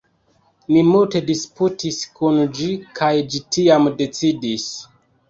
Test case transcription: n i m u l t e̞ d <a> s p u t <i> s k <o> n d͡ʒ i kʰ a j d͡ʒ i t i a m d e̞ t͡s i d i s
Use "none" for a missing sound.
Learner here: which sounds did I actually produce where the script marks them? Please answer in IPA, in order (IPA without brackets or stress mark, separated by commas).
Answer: i, i, u